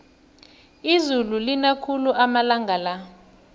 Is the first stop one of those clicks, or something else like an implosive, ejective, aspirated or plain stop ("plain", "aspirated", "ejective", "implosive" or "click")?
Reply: aspirated